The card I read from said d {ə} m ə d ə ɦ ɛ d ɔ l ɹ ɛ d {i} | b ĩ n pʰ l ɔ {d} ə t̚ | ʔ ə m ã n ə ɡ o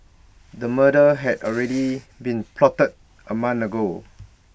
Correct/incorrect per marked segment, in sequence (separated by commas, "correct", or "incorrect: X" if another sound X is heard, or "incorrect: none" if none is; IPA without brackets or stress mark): correct, correct, incorrect: t